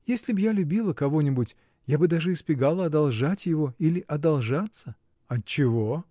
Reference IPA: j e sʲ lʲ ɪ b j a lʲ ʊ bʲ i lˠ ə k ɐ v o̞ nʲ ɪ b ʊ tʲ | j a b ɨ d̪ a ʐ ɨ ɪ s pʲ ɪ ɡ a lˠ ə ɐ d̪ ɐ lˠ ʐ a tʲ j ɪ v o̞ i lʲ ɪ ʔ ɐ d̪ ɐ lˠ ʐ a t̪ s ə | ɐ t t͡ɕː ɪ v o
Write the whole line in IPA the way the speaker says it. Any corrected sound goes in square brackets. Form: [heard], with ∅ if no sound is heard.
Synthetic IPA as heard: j e sʲ lʲ ɪ b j a lʲ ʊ bʲ i lˠ ə k ɐ v o̞ nʲ ɪ b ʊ tʲ | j a b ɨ d̪ a ʐ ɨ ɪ s pʲ ɪ ɡ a lˠ ə ɐ d̪ ɐ lˠ ʐ a tʲ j ɪ v o̞ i lʲ ɪ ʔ ɐ d̪ ɐ lˠ ʐ a t̪ s ə | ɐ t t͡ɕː ɪ v o